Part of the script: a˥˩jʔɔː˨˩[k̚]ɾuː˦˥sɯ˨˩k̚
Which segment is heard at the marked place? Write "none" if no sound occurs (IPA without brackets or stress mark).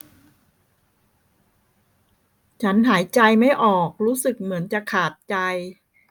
k̚